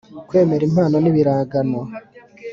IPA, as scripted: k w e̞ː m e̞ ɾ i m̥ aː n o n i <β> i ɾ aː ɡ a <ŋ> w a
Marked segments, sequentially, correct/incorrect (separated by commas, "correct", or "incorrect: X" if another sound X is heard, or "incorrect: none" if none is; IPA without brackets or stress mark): correct, incorrect: n